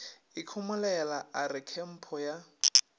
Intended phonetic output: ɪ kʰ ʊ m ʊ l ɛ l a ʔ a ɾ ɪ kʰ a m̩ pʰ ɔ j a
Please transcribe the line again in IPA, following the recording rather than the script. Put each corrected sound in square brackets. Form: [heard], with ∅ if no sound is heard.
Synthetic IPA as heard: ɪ kʰ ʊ m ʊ l ɛ l a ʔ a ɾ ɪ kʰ [ɛ] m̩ pʰ ɔ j a